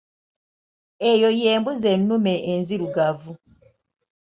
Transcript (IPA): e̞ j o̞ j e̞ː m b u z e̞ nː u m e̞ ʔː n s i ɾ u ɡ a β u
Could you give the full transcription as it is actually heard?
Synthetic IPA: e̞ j o̞ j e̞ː m b u z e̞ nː u m e̞ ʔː n z i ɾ u ɡ a v u